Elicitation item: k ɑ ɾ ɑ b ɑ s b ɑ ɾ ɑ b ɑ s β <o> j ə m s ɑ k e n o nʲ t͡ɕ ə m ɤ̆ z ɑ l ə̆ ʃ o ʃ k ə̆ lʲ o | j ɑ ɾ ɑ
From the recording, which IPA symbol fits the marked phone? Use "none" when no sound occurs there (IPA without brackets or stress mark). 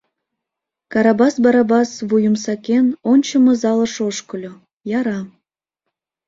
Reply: u